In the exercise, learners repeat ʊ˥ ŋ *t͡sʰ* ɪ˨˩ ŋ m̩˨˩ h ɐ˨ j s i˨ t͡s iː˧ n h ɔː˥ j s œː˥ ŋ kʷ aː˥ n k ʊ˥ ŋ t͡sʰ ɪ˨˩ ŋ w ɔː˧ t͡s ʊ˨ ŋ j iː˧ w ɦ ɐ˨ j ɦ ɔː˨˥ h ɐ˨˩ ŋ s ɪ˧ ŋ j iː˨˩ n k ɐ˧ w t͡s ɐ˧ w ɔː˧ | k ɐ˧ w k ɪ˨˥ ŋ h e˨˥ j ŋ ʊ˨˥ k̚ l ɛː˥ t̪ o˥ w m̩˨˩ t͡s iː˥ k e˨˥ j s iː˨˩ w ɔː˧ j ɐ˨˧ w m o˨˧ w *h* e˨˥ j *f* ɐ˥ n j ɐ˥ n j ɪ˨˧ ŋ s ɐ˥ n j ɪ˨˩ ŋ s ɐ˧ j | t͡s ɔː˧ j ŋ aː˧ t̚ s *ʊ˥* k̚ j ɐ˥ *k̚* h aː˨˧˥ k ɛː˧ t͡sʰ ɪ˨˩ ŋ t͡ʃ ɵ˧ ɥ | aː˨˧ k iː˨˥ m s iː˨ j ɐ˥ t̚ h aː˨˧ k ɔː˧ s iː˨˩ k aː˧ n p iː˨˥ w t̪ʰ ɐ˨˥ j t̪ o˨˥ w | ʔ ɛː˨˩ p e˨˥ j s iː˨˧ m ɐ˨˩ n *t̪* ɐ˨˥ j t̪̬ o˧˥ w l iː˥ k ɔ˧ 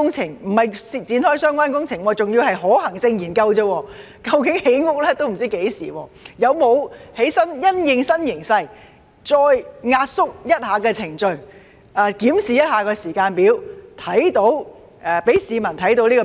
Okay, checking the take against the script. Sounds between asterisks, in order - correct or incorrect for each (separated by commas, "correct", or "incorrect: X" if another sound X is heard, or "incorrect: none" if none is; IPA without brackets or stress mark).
correct, correct, incorrect: s, correct, incorrect: t̚, incorrect: t̪ʰ